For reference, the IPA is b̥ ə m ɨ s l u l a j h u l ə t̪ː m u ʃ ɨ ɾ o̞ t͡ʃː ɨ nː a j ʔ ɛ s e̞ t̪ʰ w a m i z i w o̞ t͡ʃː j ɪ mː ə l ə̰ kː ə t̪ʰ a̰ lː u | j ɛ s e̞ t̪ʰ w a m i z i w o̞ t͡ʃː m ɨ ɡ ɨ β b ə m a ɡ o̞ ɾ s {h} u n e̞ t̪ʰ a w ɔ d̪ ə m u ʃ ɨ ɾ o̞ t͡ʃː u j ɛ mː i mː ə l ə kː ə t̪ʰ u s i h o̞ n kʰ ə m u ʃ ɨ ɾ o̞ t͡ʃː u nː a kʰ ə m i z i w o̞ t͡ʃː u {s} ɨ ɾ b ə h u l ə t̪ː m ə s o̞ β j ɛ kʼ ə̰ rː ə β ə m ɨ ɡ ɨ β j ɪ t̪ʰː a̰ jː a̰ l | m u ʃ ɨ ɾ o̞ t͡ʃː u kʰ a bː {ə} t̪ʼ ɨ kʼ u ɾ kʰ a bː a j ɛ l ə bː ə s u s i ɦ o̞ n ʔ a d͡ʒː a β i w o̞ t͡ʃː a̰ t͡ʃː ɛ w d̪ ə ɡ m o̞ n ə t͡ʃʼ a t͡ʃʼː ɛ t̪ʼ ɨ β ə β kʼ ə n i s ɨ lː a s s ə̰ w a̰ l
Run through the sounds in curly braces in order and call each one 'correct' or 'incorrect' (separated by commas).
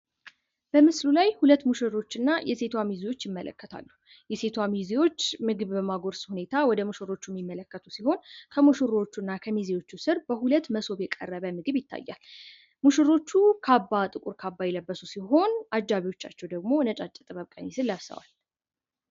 correct, correct, incorrect